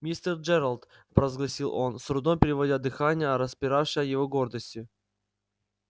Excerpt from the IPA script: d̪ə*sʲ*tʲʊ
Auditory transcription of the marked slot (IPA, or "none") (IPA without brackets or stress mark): sʲ